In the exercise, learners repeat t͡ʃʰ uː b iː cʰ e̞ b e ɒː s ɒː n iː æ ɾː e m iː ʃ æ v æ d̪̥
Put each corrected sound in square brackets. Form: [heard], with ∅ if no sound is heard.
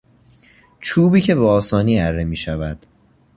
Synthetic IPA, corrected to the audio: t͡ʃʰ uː b iː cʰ e̞ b e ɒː s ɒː n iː æ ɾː e m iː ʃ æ v æ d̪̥

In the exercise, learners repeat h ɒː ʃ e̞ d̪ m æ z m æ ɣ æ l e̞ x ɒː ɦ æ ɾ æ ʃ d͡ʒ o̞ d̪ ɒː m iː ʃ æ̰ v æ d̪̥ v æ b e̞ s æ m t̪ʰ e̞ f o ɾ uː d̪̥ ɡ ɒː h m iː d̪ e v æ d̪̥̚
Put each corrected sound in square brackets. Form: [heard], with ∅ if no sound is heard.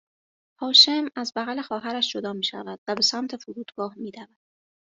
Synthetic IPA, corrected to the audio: h ɒː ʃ e̞ [∅] m æ z [b] æ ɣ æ l e̞ x ɒː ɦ æ ɾ æ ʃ d͡ʒ o̞ d̪ ɒː m iː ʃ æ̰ v æ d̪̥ v æ b e̞ s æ m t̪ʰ e̞ f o ɾ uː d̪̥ ɡ ɒː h m iː d̪ [æ] v æ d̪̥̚

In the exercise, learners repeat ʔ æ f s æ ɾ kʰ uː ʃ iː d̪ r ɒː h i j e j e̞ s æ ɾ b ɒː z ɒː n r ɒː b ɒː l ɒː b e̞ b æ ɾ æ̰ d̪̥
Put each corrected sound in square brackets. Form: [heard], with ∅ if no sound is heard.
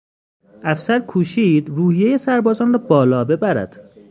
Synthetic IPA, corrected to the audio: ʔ æ f s æ ɾ kʰ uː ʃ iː d̪ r [uː] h i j e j e̞ s æ ɾ b ɒː z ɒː n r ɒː b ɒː l ɒː b e̞ b æ ɾ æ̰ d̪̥

